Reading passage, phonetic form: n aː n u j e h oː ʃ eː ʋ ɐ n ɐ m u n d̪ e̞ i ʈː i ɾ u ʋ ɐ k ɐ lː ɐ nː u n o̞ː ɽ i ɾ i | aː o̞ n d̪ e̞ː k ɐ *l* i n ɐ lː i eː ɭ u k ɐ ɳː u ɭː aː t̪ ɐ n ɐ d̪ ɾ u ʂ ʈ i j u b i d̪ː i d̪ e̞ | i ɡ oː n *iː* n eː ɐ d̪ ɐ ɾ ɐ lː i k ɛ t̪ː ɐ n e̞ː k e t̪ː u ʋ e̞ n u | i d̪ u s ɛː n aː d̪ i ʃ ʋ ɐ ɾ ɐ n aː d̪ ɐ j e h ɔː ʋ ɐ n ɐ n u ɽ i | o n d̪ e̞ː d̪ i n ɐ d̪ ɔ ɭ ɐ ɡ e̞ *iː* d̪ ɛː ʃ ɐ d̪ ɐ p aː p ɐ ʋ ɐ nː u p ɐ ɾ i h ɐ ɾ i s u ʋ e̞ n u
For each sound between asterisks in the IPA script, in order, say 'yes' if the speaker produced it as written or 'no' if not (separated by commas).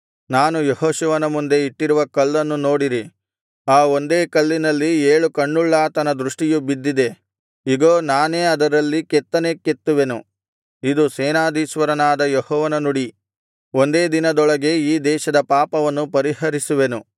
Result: no, no, yes